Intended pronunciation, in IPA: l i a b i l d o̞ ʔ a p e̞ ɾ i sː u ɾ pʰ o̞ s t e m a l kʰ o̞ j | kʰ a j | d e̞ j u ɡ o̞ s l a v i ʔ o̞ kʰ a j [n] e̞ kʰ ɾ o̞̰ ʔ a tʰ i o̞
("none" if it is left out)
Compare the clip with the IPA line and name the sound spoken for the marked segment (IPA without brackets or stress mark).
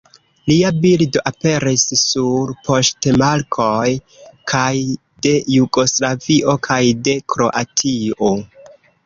d